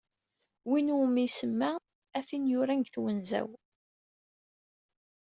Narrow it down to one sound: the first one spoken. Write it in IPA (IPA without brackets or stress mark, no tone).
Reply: w